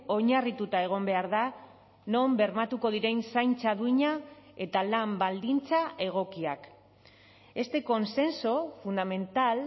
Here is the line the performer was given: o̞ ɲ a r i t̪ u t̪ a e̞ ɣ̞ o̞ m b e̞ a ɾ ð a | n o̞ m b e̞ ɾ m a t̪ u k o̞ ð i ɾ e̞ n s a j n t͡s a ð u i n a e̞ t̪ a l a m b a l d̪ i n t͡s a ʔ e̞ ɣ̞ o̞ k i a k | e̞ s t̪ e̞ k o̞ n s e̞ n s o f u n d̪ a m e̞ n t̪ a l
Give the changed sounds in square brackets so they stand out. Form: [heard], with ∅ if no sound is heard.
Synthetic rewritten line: o̞ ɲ a r i t̪ u t̪ a e̞ ɣ̞ o̞ m b e̞ a ɾ ð a | n o̞ m b e̞ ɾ m a t̪ u k o̞ ð i ɾ e̞ n s a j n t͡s a ð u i [ɲ] a e̞ t̪ a l a m b a l d̪ i n t͡s a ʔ e̞ ɣ̞ o̞ k i a k | e̞ s t̪ e̞ k o̞ n s e̞ n s o f u n d̪ a m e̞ n t̪ a l